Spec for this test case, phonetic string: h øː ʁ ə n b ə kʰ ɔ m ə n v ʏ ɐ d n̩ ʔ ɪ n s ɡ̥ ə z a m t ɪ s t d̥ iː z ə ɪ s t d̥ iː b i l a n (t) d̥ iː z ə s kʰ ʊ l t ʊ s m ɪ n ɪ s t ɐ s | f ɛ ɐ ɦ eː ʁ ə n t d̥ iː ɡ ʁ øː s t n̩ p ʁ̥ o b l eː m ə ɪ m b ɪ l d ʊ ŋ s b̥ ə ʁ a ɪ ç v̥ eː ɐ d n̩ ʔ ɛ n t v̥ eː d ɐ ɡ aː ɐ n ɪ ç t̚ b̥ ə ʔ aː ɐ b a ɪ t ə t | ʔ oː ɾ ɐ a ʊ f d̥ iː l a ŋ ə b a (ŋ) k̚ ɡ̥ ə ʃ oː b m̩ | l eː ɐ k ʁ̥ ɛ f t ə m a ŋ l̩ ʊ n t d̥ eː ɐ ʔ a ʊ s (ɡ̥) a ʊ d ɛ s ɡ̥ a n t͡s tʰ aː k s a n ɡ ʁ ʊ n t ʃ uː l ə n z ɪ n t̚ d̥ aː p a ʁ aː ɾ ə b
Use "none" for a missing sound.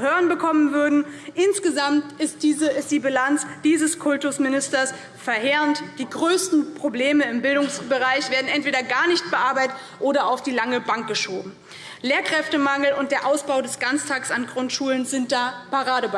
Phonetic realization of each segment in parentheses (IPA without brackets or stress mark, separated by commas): t͡s, ŋ, b̥